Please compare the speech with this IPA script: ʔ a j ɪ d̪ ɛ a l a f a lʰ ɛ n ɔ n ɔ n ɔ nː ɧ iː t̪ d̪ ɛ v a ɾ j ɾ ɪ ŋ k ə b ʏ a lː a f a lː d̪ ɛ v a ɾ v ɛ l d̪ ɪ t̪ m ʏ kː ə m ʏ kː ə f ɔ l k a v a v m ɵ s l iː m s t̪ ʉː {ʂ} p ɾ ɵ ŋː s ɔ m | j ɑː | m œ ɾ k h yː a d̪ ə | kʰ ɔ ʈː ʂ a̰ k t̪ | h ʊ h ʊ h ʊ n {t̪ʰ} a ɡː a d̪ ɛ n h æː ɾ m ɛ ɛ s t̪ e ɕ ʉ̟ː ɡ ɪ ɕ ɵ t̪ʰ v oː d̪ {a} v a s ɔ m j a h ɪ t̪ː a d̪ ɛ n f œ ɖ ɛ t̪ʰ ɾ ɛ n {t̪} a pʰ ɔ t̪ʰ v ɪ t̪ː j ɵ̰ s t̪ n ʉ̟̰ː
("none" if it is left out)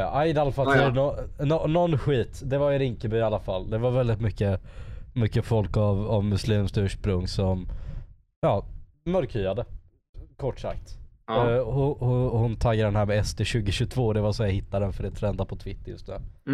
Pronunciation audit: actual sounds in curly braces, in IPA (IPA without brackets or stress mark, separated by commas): ʂ, t̪ʰ, ɛ, d̪